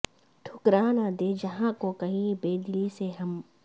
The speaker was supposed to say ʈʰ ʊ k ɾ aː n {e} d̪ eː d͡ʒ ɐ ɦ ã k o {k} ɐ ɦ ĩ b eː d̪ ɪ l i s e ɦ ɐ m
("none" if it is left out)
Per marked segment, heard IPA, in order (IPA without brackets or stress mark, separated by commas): a, k